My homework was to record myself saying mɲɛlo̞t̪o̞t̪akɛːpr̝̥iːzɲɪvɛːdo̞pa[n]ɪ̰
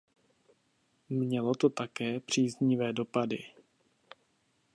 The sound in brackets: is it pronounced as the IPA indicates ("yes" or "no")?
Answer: no